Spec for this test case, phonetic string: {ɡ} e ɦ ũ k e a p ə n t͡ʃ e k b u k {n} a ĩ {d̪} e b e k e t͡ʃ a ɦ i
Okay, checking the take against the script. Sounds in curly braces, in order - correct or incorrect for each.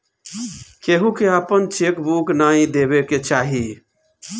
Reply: incorrect: k, correct, correct

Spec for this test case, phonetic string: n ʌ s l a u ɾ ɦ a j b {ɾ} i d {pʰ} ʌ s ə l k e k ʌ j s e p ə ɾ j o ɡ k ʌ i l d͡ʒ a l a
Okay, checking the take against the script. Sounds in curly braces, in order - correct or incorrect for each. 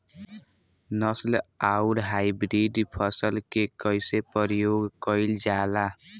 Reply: correct, correct

